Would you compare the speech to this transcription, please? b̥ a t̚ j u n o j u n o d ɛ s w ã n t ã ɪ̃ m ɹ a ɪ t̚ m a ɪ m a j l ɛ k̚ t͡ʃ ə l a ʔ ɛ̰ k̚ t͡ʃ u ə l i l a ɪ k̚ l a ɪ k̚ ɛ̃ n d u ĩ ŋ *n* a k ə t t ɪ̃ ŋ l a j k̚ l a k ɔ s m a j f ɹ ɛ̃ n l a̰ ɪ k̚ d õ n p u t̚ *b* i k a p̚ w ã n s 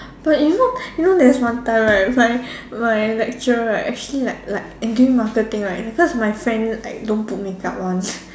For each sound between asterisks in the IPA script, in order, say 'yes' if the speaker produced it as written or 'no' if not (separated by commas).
no, no